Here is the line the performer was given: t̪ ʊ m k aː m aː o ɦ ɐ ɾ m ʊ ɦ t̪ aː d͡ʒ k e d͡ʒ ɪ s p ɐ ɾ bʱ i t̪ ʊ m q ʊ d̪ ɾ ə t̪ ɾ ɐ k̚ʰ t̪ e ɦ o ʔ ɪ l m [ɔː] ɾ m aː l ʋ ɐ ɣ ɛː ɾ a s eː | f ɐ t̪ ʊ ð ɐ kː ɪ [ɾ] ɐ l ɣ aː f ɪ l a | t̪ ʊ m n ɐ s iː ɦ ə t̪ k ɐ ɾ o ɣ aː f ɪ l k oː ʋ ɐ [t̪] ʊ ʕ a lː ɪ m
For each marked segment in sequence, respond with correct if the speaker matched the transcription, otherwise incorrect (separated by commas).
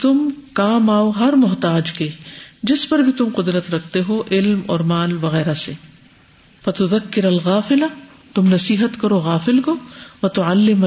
correct, correct, correct